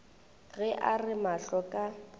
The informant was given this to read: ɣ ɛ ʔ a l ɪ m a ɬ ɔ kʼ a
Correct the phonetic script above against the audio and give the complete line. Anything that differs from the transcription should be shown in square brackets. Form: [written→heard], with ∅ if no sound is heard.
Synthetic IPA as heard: ɣ ɛ ʔ a [l→r] ɪ m a ɬ ɔ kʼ a